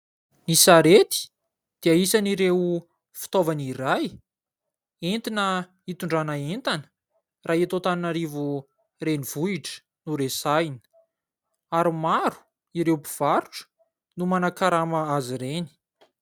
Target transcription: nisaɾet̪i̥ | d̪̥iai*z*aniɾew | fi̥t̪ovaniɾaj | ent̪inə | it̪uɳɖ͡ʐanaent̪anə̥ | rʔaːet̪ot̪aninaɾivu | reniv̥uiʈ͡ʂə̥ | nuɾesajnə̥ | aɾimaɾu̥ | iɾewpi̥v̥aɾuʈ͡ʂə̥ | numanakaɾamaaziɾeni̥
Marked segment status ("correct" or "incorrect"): incorrect